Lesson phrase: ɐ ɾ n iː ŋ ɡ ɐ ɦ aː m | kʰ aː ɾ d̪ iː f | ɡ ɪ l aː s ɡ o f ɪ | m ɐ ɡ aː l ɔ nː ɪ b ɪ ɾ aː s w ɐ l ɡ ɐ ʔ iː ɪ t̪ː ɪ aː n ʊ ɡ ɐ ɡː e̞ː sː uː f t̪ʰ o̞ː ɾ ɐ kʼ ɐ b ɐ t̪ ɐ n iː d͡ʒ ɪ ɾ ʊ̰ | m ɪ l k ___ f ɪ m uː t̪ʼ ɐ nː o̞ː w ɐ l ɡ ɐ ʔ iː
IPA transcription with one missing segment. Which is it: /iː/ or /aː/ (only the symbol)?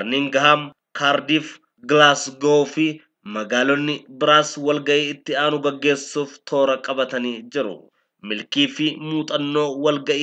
iː